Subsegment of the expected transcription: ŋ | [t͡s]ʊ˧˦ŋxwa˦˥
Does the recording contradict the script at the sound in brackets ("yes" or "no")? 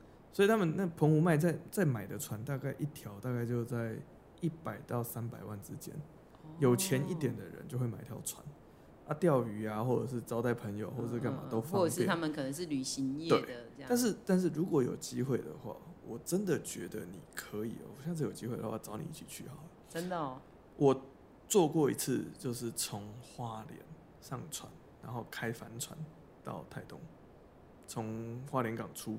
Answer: yes